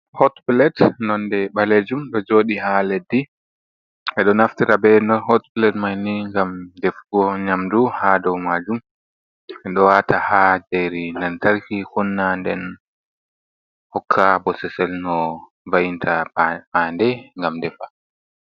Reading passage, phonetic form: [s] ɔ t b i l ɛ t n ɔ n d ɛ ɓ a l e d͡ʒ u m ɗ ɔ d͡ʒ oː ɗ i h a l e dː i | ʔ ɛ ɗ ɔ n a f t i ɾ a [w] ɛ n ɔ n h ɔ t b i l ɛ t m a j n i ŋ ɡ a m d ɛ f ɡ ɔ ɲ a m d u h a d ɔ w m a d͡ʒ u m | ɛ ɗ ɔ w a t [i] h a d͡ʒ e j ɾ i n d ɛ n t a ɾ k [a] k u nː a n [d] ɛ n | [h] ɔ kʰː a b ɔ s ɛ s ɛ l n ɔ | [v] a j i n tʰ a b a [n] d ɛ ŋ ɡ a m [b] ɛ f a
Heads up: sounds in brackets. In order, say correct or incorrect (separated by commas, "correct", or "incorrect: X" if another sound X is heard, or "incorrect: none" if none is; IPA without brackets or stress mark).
incorrect: h, incorrect: b, incorrect: a, incorrect: i, correct, correct, correct, correct, incorrect: d